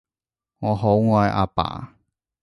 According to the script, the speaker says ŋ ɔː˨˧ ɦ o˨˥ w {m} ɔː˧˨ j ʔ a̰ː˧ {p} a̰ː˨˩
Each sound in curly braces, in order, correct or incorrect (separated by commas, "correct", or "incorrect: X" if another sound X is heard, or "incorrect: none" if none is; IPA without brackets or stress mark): incorrect: ŋ, correct